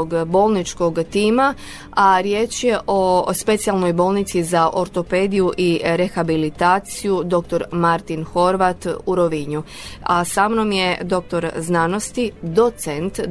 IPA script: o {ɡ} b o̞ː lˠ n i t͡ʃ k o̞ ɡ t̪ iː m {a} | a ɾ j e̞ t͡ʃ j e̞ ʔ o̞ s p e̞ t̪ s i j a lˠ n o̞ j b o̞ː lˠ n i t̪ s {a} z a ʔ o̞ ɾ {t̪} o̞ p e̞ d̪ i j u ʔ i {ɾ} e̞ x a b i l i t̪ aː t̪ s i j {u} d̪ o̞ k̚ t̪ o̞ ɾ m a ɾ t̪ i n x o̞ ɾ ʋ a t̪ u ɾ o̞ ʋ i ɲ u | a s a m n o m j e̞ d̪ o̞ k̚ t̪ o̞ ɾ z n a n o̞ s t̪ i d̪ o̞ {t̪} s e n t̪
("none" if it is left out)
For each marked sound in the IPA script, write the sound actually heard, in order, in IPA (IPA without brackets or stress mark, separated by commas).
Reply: ɡ, a, i, t̪, ɾ, u, t̪